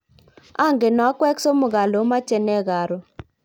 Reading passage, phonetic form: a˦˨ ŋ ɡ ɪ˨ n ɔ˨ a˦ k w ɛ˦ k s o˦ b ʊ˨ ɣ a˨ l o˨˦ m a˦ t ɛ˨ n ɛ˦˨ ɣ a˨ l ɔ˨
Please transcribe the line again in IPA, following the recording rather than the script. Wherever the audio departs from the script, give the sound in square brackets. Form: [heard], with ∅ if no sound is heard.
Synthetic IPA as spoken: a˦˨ ŋ ɡ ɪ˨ n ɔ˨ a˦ k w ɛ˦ k s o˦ [m] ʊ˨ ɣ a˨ l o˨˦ m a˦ [t͡ʃ] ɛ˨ n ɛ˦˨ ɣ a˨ [ɾ] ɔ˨